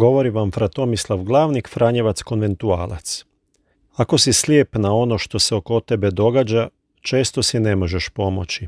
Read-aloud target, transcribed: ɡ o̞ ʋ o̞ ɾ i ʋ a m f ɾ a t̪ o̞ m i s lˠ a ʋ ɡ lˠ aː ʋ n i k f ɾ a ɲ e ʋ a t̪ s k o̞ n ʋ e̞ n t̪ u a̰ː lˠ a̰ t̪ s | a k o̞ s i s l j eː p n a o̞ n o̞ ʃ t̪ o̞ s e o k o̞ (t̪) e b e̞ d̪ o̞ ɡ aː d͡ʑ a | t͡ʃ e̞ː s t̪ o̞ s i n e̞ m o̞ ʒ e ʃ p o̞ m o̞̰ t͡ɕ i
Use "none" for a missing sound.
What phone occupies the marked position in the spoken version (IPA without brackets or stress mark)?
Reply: t̪